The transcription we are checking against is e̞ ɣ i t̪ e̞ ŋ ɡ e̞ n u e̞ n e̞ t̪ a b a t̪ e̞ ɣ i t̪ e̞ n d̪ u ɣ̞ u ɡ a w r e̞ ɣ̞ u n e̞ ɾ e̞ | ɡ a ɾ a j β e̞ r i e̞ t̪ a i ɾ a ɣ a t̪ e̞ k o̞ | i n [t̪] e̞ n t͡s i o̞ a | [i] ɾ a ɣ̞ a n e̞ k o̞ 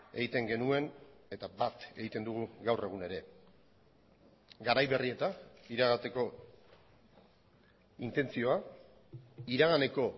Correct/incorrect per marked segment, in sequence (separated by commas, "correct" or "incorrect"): correct, correct